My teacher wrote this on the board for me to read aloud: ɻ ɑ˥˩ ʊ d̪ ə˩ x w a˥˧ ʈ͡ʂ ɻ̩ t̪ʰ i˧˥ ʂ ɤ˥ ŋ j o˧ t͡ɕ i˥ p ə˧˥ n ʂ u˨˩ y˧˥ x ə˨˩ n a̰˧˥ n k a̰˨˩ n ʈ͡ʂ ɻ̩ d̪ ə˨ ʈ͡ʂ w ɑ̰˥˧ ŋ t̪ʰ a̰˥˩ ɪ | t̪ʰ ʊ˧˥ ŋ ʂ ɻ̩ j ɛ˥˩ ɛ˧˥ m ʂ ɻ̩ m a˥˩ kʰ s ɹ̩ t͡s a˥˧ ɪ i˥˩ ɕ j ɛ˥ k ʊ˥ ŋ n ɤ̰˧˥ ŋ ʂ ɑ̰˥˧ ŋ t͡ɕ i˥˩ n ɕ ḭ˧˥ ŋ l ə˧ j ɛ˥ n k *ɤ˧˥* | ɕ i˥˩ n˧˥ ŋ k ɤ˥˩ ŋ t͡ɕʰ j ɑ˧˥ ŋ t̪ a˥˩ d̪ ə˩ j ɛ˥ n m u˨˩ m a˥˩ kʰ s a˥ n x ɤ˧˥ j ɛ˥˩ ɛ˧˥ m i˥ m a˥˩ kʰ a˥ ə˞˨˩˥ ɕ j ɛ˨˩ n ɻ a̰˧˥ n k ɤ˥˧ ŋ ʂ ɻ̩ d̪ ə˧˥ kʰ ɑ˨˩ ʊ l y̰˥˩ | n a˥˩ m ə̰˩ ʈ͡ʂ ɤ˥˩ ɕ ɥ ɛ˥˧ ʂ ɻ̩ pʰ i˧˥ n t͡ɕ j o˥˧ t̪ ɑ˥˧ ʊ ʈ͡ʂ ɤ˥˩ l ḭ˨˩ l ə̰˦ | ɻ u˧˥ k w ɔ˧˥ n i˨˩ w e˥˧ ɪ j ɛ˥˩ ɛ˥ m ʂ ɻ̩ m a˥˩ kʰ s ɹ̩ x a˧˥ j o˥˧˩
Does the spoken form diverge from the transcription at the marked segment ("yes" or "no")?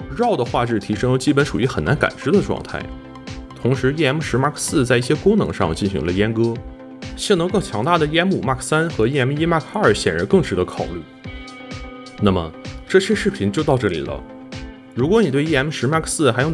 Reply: yes